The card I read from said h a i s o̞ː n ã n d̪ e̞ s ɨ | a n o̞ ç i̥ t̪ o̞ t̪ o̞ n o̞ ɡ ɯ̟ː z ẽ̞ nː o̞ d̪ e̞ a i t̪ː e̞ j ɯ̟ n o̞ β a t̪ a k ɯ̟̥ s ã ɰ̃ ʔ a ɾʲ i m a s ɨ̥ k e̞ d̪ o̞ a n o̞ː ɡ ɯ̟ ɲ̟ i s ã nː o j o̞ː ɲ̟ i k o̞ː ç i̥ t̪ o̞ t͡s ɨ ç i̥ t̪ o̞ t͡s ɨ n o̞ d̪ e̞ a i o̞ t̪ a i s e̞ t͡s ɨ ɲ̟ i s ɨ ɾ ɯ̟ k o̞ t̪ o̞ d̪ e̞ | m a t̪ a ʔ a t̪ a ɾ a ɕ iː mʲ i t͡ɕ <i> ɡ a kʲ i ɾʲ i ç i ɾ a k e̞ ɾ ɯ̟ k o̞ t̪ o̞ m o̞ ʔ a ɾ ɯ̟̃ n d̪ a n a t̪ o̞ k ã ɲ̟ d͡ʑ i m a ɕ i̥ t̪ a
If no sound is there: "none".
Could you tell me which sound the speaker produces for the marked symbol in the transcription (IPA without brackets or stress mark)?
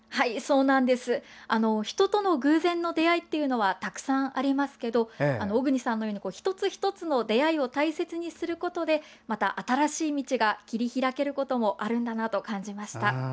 i